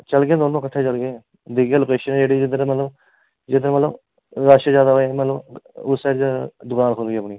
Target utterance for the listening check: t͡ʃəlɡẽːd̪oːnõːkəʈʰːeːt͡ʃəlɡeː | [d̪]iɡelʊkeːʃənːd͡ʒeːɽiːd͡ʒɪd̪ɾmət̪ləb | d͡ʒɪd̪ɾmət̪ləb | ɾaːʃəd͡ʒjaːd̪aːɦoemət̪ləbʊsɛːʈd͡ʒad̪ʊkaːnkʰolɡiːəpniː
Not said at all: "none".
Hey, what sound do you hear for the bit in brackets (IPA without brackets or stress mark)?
d̪